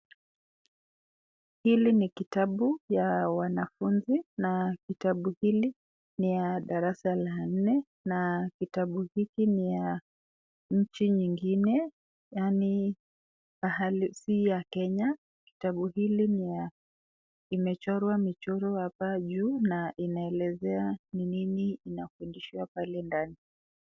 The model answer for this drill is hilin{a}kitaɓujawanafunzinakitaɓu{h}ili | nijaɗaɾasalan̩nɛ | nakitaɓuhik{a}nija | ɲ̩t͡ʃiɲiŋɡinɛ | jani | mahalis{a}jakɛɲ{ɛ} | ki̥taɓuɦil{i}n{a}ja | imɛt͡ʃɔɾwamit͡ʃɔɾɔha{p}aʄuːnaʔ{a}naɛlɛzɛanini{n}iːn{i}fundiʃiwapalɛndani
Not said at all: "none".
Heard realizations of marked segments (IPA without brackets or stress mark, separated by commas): i, h, i, i, a, i, i, p, i, n, a